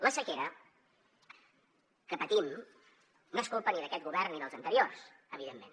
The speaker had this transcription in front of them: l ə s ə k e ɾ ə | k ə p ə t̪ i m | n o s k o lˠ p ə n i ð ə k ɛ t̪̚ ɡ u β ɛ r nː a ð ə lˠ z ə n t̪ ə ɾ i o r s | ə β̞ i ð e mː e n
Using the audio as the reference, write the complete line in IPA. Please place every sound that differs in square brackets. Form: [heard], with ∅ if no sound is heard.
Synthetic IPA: l ə s ə k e ɾ ə | k ə p ə t̪ i m | n o s k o lˠ p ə n i ð ə k ɛ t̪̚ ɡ u β ɛ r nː [i] ð ə lˠ z ə n t̪ ə ɾ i o r s | ə β̞ i ð e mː e n